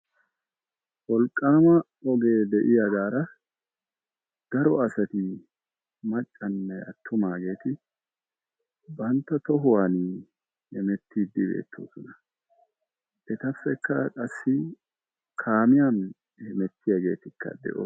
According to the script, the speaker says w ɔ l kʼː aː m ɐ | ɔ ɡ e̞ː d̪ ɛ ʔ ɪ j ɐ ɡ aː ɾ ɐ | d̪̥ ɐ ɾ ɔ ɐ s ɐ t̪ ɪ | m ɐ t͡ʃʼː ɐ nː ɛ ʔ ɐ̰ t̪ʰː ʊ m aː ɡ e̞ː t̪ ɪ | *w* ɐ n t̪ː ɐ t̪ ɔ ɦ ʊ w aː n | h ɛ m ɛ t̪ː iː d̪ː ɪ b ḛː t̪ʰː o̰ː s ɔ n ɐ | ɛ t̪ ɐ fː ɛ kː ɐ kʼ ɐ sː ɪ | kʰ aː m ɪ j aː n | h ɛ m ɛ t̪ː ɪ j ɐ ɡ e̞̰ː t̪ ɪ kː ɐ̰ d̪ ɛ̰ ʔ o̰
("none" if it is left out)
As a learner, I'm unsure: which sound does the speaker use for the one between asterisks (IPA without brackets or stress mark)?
b